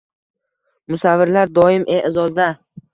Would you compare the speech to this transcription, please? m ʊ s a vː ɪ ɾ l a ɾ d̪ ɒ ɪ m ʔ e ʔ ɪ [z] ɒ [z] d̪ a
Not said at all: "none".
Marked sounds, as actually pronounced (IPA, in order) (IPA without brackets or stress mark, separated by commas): z, z